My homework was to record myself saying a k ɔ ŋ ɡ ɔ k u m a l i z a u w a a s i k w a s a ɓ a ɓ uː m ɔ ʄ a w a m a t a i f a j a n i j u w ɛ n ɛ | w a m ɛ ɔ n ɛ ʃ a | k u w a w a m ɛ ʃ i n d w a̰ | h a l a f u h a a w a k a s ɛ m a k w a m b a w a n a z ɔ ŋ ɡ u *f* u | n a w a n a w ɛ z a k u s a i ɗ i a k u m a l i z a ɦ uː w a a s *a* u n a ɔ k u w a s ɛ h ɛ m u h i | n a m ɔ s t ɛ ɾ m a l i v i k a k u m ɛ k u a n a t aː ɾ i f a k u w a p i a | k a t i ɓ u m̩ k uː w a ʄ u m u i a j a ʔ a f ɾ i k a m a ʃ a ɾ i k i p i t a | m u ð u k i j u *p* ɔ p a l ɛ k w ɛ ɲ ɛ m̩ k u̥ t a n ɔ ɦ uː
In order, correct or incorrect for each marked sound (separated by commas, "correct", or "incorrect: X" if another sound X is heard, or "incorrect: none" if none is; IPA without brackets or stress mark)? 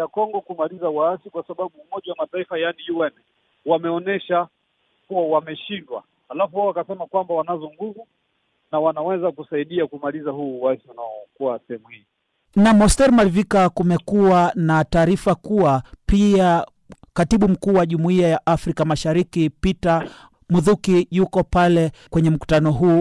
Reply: incorrect: v, incorrect: i, incorrect: k